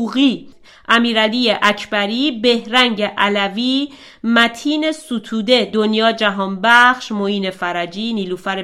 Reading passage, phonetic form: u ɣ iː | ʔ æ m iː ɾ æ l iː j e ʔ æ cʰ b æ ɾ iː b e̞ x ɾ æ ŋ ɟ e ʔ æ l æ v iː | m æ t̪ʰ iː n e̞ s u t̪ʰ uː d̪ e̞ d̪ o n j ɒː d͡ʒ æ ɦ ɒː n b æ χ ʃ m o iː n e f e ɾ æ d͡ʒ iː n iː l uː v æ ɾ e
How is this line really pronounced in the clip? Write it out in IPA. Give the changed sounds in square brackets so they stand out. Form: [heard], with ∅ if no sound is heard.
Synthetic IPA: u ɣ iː | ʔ æ m iː ɾ æ l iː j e ʔ æ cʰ b æ ɾ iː b e̞ [h] ɾ æ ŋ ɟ e ʔ æ l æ v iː | m æ t̪ʰ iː n e̞ s u t̪ʰ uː d̪ e̞ d̪ o n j ɒː d͡ʒ æ ɦ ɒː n b æ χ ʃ m o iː n e f [æ] ɾ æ d͡ʒ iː n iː l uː [f] æ ɾ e